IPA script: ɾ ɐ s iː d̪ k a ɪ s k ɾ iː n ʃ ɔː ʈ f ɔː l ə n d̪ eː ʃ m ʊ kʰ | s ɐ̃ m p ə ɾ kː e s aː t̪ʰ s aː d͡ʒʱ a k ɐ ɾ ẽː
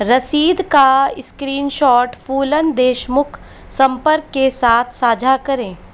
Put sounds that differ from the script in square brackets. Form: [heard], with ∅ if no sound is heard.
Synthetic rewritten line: ɾ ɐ s iː d̪ k a ɪ s k ɾ iː n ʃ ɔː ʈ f [uː] l ə n d̪ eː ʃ m ʊ kʰ | s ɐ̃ m p ə ɾ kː e s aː t̪ʰ s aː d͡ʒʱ a k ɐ ɾ ẽː